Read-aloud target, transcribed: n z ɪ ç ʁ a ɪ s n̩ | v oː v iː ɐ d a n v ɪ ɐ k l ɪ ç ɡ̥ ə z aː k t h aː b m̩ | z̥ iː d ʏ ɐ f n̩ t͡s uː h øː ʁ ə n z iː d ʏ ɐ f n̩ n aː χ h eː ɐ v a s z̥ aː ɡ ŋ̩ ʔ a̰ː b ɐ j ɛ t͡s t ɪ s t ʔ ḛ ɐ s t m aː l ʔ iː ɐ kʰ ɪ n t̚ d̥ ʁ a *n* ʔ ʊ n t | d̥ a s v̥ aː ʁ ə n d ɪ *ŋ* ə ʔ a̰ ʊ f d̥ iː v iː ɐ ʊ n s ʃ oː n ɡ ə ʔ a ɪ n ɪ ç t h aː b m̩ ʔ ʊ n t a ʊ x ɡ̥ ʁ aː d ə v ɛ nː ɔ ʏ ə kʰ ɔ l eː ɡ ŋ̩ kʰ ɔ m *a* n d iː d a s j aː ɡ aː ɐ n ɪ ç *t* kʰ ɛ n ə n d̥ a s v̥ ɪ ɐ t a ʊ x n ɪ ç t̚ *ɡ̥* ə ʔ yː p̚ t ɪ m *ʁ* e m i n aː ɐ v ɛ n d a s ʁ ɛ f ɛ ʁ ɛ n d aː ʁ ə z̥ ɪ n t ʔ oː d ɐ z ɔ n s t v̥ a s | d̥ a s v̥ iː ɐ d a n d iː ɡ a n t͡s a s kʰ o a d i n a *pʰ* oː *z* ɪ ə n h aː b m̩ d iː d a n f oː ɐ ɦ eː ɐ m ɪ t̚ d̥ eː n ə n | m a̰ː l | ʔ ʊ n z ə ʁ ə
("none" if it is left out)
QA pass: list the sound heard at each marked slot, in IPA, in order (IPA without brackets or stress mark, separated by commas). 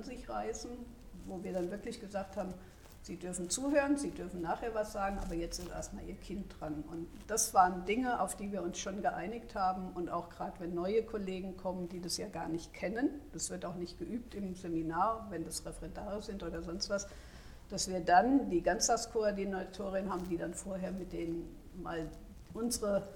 n, ŋ, ə, t, ɡ̥, z, tʰ, ʁ